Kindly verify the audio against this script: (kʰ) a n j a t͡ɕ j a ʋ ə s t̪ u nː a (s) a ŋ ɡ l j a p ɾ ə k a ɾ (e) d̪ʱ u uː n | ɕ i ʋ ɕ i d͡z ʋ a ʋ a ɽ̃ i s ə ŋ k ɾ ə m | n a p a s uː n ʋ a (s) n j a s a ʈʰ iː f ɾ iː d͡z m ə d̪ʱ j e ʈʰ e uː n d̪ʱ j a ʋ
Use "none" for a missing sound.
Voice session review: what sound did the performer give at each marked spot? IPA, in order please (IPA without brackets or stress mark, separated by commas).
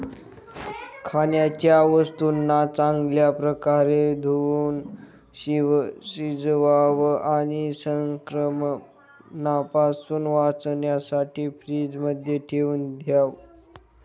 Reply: kʰ, t͡s, e, t͡s